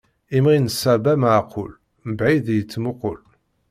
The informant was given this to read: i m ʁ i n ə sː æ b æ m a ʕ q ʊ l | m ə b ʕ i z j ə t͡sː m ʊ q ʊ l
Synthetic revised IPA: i m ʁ i n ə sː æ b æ m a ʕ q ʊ l | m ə b ʕ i ð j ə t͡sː m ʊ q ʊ l